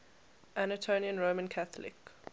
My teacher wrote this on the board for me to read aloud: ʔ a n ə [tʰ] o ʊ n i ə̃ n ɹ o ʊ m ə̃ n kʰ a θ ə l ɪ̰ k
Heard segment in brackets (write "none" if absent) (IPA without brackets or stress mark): tʰ